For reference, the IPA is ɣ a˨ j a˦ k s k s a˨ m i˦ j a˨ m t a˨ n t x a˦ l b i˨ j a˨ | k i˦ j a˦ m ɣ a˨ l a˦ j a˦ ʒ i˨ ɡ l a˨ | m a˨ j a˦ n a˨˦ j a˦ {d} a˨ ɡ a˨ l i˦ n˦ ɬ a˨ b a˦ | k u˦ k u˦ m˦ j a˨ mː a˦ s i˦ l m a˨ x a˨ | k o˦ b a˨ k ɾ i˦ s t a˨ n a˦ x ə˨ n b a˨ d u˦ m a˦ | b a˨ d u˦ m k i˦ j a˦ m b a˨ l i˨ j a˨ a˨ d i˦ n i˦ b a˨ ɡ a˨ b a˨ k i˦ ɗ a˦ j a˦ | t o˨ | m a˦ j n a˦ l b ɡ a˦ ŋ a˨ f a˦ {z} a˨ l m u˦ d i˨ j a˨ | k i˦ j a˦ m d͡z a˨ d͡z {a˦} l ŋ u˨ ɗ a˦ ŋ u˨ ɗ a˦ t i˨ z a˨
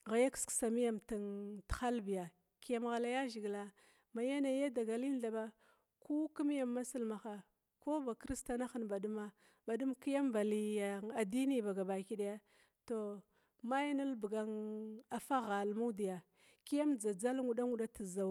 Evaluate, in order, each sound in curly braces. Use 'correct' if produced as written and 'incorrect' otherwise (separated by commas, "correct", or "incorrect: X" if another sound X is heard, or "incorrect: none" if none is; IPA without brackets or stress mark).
correct, incorrect: ɣ, correct